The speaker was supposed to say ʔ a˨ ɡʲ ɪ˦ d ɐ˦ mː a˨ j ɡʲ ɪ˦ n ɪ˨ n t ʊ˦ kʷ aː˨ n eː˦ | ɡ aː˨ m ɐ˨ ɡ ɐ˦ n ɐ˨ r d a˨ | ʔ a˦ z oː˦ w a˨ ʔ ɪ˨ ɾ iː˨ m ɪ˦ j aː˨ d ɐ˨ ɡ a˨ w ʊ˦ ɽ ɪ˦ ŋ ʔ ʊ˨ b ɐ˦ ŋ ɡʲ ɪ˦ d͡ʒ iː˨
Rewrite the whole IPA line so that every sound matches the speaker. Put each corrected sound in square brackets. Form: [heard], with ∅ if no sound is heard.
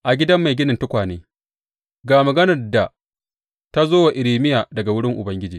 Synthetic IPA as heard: ʔ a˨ ɡʲ ɪ˦ d ɐ˦ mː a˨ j ɡʲ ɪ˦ n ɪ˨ n t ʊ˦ kʷ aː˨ n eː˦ | ɡ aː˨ m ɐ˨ ɡ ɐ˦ n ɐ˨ r d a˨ | [t] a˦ z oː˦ w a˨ ʔ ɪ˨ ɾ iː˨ m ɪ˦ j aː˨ d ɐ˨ ɡ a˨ w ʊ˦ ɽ ɪ˦ ŋ ʔ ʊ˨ b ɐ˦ ŋ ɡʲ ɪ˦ d͡ʒ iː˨